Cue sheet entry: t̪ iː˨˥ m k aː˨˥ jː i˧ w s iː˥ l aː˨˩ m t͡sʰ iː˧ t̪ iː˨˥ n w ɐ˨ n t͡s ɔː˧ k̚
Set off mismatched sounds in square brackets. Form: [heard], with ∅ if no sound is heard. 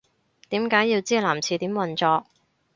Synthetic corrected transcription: t̪ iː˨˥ m k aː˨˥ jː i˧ w [t͡s] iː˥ l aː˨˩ m t͡sʰ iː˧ t̪ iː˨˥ [m] w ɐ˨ n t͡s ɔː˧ k̚